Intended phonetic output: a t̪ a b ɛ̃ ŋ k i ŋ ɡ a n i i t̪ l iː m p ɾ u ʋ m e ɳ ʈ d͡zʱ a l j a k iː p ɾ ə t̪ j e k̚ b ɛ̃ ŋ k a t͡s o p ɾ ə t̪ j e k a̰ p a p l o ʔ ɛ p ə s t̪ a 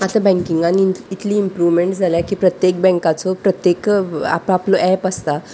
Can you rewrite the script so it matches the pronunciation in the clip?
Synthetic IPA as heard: a t̪ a b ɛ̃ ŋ k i ŋ ɡ a n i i t̪ l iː m p ɾ u ʋ m e ɳ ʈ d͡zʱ a l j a k iː p ɾ ə t̪ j e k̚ b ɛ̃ ŋ k a t͡s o p ɾ ə t̪ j e k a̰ p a p l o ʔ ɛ p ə s t̪ a